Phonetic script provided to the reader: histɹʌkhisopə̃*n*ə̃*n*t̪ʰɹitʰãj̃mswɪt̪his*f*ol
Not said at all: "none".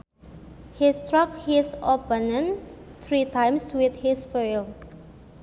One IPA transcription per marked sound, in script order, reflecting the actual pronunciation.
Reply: n, n, f

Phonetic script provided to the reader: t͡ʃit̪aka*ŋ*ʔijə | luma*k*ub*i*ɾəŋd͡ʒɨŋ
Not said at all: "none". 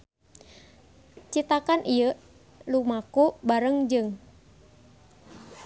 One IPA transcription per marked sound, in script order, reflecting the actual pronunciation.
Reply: n, k, a

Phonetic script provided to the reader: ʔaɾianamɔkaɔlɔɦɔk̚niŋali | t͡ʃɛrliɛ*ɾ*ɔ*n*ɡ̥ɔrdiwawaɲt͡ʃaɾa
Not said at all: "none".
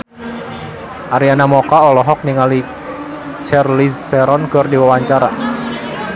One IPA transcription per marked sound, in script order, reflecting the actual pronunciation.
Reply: ɾ, n

